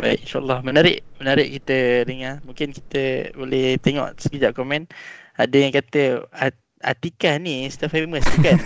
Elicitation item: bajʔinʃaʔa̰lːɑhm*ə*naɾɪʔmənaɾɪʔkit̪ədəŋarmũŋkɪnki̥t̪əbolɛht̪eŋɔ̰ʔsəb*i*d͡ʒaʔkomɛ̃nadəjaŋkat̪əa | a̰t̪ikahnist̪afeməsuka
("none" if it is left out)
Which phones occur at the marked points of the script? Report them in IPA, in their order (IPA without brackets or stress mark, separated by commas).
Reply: ə, i